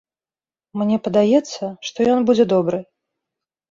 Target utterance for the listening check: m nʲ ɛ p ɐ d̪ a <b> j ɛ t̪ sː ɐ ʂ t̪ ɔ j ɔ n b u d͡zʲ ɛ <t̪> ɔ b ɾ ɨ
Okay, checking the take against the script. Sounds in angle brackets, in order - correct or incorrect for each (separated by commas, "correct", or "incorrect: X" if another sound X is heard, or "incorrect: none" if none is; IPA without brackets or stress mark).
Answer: incorrect: none, incorrect: d̪